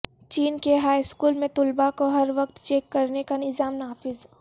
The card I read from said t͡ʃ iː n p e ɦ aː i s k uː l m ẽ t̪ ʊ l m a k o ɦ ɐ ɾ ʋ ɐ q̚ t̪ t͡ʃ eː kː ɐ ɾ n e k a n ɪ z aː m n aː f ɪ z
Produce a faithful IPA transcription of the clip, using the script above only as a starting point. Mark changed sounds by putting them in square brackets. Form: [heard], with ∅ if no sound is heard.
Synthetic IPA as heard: t͡ʃ iː n [k] e ɦ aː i s k uː l m ẽ t̪ ʊ l [b] a k o ɦ ɐ ɾ ʋ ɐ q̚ t̪ t͡ʃ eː kː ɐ ɾ n e k a n ɪ z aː m n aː f ɪ z